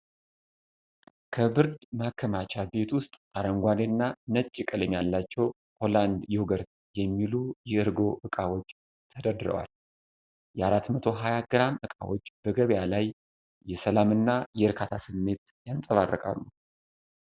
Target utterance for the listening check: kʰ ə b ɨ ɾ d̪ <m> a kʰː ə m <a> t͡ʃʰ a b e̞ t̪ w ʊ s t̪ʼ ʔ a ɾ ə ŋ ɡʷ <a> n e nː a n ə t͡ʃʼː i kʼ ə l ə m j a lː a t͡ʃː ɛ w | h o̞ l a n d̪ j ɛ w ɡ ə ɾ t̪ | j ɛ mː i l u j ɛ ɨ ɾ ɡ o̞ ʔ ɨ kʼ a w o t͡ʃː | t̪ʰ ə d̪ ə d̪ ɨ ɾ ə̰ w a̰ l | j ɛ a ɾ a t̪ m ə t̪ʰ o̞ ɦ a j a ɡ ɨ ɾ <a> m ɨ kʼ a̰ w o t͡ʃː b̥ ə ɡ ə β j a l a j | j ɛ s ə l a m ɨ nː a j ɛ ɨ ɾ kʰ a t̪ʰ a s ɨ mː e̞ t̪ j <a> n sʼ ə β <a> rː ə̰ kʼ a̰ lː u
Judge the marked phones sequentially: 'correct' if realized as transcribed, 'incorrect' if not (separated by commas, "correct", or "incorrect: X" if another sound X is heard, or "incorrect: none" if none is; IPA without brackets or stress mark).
correct, correct, correct, correct, correct, correct